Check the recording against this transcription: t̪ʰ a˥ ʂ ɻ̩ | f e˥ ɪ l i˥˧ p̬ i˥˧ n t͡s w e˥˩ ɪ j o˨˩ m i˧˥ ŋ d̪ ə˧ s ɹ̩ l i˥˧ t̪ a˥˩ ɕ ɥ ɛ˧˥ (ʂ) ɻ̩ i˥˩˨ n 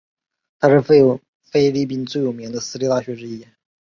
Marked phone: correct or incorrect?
incorrect